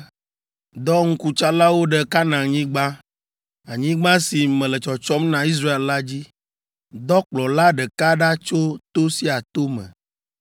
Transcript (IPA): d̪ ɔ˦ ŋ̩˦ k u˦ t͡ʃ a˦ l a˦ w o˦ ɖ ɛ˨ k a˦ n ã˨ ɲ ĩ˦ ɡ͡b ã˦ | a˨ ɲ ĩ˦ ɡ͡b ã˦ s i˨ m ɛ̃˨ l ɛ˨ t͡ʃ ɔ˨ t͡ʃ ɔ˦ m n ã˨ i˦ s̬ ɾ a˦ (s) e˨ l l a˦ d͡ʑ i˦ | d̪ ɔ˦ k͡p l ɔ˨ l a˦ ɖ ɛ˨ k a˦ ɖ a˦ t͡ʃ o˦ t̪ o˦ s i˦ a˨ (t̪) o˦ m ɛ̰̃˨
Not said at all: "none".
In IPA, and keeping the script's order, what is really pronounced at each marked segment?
none, t̪

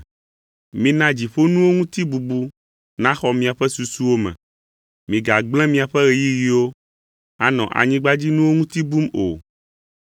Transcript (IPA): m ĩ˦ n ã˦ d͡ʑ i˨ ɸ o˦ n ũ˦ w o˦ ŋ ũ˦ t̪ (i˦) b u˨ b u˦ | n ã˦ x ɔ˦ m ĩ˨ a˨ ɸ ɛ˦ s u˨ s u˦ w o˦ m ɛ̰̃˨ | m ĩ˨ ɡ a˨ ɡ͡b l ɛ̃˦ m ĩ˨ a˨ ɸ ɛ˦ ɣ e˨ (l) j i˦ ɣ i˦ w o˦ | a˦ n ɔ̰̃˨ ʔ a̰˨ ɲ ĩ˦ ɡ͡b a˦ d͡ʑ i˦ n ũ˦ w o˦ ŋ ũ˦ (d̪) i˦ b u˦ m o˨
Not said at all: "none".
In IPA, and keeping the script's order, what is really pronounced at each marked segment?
i˦, none, t̪

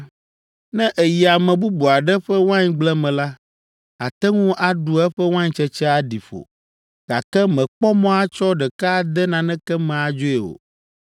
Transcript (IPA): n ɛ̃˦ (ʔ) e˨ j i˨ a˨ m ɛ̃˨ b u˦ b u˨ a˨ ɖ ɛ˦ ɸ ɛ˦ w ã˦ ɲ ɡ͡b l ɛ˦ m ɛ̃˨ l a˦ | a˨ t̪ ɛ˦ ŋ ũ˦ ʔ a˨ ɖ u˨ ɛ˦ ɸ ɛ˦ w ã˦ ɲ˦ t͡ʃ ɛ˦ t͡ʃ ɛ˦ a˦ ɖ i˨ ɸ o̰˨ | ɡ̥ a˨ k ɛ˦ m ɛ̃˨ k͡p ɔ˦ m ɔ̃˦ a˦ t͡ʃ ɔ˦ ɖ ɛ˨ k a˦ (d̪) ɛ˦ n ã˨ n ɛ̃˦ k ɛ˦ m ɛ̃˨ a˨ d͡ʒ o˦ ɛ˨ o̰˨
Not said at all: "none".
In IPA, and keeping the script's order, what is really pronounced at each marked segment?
ʔ, d̪

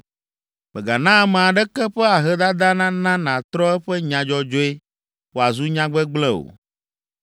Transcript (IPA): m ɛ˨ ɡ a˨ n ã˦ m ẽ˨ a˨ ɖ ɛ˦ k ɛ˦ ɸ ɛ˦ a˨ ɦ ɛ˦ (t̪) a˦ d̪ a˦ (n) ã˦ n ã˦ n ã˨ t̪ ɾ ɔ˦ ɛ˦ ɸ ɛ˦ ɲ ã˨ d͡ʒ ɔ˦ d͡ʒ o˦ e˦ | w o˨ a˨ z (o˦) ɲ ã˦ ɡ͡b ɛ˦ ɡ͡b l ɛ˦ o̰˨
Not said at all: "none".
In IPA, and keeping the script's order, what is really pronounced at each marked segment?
d̪, n, u˦

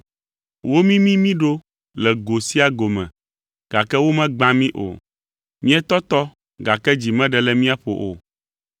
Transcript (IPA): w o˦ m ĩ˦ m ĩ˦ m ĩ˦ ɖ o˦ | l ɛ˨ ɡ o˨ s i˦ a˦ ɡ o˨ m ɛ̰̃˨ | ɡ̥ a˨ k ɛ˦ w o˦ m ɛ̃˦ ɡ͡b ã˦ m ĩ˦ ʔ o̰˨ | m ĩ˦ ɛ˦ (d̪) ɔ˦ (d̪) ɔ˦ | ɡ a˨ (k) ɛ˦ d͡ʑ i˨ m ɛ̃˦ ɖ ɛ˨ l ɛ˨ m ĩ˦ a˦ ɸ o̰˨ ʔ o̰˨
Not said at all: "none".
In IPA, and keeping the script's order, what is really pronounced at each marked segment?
t̪, t̪, k

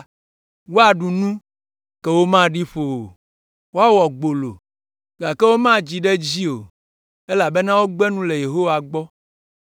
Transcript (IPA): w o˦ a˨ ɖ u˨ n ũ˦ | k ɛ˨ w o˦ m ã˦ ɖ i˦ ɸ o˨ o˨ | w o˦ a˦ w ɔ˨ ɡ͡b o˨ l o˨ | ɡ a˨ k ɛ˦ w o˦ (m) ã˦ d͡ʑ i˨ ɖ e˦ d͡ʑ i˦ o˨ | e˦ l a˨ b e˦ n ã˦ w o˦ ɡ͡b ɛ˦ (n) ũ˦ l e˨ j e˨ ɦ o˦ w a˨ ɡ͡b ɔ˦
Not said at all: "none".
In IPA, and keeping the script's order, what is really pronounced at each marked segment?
m, n

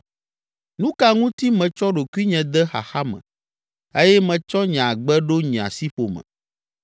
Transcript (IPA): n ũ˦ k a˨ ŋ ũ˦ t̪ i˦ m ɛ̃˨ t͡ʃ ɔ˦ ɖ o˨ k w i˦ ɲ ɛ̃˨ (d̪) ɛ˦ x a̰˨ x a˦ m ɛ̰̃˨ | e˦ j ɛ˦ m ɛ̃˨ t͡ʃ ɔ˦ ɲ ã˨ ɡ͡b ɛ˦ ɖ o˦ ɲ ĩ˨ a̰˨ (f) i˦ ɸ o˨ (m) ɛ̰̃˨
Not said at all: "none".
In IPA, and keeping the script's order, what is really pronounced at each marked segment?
d̪, s, m

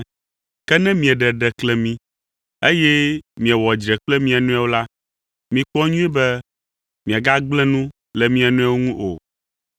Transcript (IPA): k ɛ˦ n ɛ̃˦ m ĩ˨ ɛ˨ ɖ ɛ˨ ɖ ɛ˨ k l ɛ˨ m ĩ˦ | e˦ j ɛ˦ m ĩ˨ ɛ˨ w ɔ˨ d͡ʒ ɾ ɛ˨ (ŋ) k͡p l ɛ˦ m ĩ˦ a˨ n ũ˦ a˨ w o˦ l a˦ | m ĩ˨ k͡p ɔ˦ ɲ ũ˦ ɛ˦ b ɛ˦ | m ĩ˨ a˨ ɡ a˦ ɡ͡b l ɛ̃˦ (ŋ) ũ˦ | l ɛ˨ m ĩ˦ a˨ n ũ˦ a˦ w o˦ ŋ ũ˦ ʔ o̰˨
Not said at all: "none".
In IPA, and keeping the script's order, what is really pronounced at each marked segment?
none, n

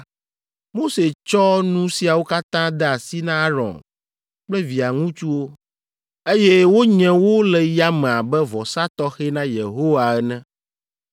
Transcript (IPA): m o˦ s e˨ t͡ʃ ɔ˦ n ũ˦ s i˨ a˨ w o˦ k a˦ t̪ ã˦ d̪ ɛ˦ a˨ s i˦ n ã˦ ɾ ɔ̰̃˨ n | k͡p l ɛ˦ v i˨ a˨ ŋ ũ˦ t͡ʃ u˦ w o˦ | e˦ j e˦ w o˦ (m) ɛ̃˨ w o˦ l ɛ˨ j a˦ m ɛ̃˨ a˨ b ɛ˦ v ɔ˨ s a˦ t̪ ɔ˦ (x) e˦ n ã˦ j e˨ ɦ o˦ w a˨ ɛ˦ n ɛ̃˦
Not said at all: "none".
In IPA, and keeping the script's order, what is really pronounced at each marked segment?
ɲ, x

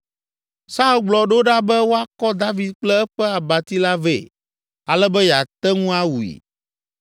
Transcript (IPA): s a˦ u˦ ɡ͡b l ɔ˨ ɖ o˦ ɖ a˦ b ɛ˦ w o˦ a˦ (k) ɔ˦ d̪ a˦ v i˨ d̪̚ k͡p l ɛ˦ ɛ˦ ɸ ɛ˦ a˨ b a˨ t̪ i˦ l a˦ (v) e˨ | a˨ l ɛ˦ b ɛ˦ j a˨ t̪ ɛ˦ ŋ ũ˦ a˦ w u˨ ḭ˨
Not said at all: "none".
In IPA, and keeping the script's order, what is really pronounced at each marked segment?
k, v

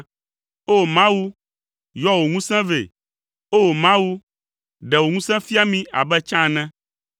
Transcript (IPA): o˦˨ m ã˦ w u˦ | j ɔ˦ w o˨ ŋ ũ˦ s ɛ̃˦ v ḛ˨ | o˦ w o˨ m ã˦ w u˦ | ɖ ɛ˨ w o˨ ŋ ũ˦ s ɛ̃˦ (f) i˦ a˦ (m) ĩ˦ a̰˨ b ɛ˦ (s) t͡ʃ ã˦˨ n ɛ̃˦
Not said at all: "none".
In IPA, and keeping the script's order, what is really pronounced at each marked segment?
f, m, none

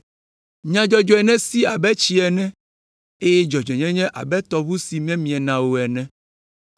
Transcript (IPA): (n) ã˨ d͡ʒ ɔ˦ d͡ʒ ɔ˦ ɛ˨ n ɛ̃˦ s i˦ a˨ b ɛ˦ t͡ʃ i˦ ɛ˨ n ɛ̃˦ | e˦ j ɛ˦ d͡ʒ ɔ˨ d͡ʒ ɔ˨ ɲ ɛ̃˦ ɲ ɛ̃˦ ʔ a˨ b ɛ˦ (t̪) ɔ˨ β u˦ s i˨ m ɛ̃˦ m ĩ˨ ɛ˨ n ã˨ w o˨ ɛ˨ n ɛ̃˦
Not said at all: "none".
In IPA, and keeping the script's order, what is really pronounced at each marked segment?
ɲ, t̪

